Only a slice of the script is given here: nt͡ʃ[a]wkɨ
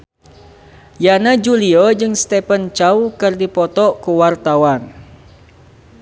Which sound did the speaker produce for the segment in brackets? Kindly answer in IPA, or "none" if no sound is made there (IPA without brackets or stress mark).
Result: a